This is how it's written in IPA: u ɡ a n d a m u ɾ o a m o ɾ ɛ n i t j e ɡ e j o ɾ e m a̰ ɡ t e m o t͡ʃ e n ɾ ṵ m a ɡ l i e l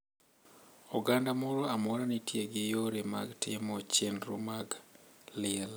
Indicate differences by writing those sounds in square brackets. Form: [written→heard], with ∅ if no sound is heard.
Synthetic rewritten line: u ɡ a n d a m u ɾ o a m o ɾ [ɛ→a] n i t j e ɡ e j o ɾ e m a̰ ɡ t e m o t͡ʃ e n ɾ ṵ m a ɡ l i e l